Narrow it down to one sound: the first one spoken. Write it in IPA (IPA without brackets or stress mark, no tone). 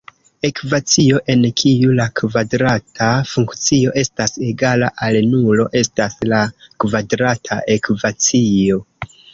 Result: e̞